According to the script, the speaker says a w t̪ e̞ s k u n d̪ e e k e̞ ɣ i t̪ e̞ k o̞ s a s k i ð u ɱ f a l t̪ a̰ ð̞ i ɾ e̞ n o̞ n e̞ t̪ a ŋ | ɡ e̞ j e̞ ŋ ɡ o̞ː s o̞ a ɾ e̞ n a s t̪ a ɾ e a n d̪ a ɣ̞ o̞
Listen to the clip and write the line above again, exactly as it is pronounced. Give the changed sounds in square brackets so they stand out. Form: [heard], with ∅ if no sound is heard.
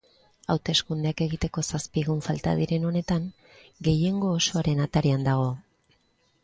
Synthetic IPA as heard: a w t̪ e̞ s k u n d̪ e [a] k e̞ ɣ i t̪ e̞ k o̞ s a s [p] i [ɣ] u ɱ f a l t̪ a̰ ð̞ i ɾ e̞ n o̞ n e̞ t̪ a ŋ | ɡ e̞ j e̞ ŋ ɡ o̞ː s o̞ a ɾ e̞ n a [∅] t̪ a ɾ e a n d̪ a ɣ̞ o̞